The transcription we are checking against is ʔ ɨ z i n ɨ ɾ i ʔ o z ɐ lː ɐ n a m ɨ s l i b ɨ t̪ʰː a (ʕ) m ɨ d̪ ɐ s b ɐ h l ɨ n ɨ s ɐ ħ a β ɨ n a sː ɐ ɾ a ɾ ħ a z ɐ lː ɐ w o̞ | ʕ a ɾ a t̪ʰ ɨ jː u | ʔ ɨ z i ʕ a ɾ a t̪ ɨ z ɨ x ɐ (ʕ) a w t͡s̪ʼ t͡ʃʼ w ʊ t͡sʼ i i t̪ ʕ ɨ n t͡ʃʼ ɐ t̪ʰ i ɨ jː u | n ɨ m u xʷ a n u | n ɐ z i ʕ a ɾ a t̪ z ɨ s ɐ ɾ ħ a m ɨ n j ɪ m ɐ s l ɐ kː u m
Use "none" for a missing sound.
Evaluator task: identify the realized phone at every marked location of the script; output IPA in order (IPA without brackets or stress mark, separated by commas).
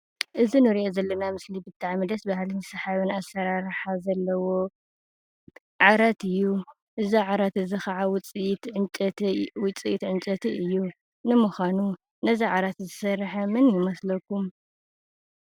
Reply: ʕ, ʕ